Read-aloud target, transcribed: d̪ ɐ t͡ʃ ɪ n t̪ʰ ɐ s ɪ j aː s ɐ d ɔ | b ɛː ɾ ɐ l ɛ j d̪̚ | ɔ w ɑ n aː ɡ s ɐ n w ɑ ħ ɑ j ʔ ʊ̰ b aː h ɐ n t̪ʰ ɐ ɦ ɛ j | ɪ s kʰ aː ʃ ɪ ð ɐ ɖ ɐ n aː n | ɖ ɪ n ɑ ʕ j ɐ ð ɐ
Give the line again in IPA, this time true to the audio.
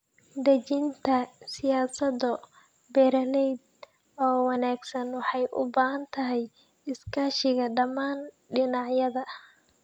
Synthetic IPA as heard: d̪ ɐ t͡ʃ ɪ n t̪ʰ ɐ s ɪ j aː s ɐ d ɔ | b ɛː ɾ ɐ l ɛ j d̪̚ | ɔː w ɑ n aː ɡ s ɐ n w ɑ ħ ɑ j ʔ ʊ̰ b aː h ɐ n t̪ʰ ɐ ɦ ɛ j | ɪ s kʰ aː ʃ ɪ ɣ ɐ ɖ ɐ m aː n | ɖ ɪ n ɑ ʕ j ɐ ð ɐ

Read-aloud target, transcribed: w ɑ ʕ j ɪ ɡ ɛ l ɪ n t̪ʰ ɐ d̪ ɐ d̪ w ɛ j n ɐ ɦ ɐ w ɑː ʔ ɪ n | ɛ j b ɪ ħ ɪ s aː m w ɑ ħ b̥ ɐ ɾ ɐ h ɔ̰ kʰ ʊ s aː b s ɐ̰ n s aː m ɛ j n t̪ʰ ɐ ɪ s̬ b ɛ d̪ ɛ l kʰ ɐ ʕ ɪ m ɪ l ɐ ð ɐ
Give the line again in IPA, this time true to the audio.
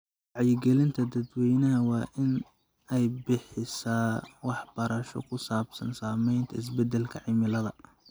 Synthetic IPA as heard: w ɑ ʕ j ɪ ɡ ɛ l ɪ n t̪ʰ ɐ d̪ ɐ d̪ w ɛ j n ɐ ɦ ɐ w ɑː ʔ ɪ n | ɛ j b ɪ ħ ɪ s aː w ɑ ħ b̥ ɐ ɾ ɐ ʃ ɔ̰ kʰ ʊ s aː b s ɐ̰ n s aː m ɛ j n t̪ʰ ɐ ɪ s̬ b ɛ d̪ ɛ l kʰ ɐ ʕ ɪ m ɪ l ɐ ð ɐ

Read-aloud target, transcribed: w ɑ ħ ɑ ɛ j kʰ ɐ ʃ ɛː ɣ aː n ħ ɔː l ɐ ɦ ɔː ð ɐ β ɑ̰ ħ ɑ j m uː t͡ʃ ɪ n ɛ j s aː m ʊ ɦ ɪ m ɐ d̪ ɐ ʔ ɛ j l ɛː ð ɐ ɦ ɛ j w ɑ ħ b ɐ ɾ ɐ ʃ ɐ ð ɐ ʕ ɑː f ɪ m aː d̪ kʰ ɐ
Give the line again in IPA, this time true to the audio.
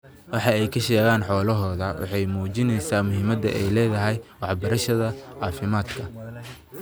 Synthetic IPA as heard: w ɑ ħ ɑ ɛ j kʰ ɐ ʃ ɛː ɣ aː n ħ ɔː l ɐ ɦ ɔː ð ɐ w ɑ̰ ħ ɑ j m uː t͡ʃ ɪ n ɛ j s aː m ʊ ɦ ɪ m ɐ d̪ ɐ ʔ ɛ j l ɛː ð ɐ ɦ ɛ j w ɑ ħ b ɐ ɾ ɐ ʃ ɐ ð ɐ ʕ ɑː f ɪ m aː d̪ kʰ ɐ

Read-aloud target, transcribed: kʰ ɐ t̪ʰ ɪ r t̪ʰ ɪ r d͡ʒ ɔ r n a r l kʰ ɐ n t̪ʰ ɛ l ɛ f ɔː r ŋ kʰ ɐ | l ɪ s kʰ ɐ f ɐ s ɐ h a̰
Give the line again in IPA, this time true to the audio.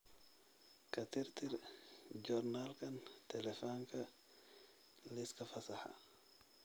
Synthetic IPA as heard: kʰ ɐ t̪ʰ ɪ r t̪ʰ ɪ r d͡ʒ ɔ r n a l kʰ ɐ n t̪ʰ ɛ l ɛ f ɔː ŋ kʰ ɐ | l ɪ s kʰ ɐ f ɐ s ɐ ħ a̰

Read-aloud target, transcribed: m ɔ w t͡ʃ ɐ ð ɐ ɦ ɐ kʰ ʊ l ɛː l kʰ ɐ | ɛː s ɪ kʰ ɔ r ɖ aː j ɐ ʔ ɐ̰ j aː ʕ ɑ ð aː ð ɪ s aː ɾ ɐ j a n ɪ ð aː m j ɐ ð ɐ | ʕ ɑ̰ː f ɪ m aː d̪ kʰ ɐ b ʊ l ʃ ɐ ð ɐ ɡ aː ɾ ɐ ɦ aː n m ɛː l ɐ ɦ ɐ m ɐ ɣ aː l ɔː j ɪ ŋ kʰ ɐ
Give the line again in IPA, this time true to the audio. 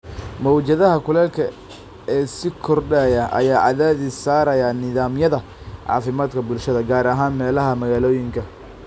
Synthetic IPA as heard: m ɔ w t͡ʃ ɐ ð ɐ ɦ ɐ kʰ ʊ l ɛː l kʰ ɐ | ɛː s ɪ kʰ ɔ r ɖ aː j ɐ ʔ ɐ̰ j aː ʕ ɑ ð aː ð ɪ s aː ɾ ɐ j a n ɪ ð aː m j ɐ ð ɐ | ʕ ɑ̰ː f ɪ m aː d̪ kʰ ɐ b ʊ l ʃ ɐ ð ɐ ɡ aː ɾ ɐ ɦ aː n m ɛː l ɐ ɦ ɐ m ɐ ɣ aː l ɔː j ɪ ŋ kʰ ɐ

